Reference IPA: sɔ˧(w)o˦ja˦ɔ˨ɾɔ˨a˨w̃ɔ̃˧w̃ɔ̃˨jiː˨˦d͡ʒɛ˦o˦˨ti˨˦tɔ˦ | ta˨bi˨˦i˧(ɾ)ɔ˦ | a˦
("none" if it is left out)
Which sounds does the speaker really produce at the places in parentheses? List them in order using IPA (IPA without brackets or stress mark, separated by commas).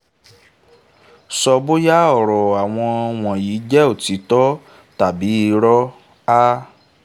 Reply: b, ɾ